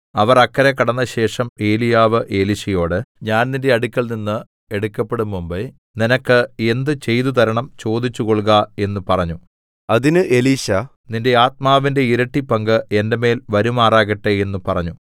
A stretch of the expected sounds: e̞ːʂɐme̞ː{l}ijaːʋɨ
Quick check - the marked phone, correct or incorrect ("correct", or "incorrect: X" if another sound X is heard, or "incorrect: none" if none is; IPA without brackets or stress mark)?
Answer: correct